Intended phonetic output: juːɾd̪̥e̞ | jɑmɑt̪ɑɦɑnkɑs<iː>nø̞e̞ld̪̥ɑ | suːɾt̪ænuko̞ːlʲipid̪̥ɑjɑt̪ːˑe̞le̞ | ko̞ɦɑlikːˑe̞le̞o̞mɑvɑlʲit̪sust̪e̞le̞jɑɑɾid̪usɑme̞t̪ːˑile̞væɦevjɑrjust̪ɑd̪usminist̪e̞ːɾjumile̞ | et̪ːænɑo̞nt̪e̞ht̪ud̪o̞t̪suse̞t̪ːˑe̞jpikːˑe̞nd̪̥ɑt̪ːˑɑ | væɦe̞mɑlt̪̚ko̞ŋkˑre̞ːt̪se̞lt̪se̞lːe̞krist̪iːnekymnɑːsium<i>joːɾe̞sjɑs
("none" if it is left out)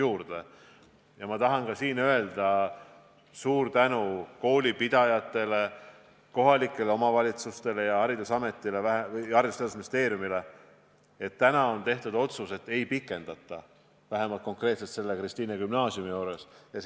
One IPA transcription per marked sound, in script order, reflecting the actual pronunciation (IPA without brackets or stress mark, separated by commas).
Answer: iː, i